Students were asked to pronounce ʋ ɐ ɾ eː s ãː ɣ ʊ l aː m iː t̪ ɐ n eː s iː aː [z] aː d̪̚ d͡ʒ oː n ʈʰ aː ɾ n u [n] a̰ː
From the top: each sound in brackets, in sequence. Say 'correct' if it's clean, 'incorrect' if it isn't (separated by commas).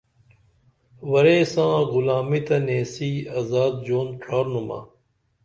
correct, incorrect